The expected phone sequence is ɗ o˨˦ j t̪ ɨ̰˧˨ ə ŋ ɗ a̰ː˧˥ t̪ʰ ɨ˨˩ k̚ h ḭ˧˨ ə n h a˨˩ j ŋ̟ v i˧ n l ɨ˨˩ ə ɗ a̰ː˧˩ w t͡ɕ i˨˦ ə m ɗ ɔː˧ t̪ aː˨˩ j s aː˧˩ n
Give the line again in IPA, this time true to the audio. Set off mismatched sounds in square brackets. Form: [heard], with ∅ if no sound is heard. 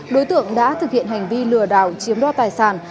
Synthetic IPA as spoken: ɗ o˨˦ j t̪ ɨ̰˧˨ ə ŋ ɗ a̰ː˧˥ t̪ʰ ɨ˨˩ k̚ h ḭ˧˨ ə n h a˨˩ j ŋ̟ v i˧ [∅] l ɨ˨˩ ə ɗ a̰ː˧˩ w t͡ɕ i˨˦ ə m ɗ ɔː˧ t̪ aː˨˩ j s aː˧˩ n